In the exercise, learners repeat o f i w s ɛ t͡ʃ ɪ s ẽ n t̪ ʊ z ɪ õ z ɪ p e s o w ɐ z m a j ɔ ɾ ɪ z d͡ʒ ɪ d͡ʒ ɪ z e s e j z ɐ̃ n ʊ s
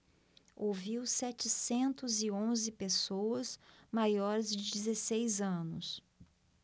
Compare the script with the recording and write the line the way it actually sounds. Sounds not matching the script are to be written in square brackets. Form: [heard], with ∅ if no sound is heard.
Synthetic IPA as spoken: o [v] i w s ɛ t͡ʃ ɪ s ẽ n t̪ ʊ z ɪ õ z ɪ p e s o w ɐ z m a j ɔ ɾ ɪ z d͡ʒ ɪ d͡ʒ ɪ z e s e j z ɐ̃ n ʊ s